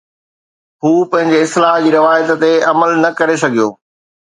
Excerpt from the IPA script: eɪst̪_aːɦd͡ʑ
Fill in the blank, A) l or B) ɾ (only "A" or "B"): A